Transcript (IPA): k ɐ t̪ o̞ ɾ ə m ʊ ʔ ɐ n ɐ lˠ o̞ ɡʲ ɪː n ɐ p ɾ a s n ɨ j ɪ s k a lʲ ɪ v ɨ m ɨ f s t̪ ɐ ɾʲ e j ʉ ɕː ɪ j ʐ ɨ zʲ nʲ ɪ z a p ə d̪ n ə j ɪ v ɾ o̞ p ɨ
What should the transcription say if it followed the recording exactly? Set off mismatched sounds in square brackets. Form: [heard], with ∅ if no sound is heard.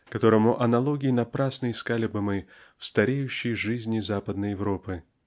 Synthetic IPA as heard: k ɐ t̪ o̞ ɾ ə m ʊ ʔ ɐ n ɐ lˠ o̞ ɡʲ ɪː n ɐ p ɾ a s n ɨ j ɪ s k a lʲ ɪ [b] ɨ m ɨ f s t̪ ɐ ɾʲ e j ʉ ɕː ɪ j ʐ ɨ zʲ nʲ ɪ z a p ə d̪ n ə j ɪ v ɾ o̞ p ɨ